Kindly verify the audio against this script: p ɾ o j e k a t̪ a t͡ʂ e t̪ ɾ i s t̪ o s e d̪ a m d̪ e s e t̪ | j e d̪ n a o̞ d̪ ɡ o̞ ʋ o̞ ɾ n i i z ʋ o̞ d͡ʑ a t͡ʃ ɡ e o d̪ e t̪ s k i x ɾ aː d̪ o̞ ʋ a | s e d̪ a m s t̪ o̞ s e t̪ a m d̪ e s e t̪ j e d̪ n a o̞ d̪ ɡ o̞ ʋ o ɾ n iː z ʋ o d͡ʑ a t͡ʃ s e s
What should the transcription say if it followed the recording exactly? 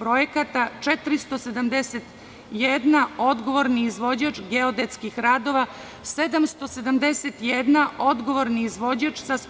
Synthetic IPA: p ɾ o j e k a t̪ a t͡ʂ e t̪ ɾ i s t̪ o s e d̪ a m d̪ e s e t̪ | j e d̪ n a o̞ d̪ ɡ o̞ ʋ o̞ ɾ n i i z ʋ o̞ d͡ʑ a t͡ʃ ɡ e o d̪ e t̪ s k i x ɾ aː d̪ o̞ ʋ a | s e d̪ a m s t̪ o̞ s e d̪ a m d̪ e s e t̪ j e d̪ n a o̞ d̪ ɡ o̞ ʋ o ɾ n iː z ʋ o d͡ʑ a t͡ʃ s a s